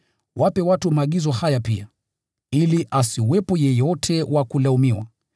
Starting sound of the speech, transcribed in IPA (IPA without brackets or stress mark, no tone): w